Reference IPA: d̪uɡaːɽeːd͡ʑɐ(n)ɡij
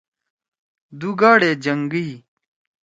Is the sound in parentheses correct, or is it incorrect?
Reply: incorrect